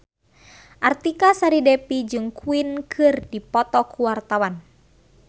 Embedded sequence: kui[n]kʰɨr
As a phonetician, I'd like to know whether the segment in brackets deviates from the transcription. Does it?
no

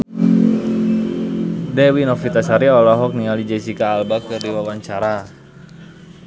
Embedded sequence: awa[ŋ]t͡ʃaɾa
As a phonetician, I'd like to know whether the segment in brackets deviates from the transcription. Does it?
yes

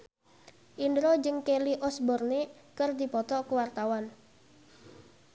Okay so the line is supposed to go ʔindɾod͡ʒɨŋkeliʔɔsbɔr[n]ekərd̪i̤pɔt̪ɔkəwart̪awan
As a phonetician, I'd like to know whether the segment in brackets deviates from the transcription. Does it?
no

